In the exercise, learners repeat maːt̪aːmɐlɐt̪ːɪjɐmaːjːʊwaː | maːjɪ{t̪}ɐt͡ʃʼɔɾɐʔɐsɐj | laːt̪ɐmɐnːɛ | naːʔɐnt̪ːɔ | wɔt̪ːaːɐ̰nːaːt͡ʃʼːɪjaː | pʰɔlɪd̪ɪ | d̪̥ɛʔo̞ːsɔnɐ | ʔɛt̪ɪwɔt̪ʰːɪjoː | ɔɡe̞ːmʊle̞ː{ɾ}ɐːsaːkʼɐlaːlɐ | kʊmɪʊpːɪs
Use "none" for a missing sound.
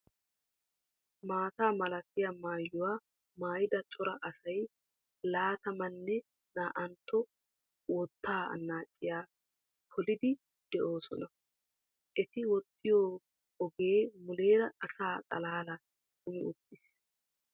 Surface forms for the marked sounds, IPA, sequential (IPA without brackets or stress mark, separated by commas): d̪, ɾ